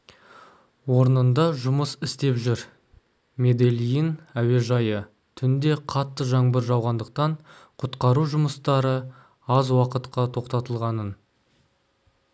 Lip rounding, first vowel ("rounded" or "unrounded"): rounded